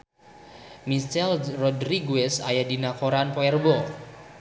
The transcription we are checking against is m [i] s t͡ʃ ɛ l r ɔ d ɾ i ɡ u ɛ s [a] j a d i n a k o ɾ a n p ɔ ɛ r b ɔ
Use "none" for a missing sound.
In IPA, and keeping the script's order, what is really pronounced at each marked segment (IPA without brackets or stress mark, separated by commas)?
i, a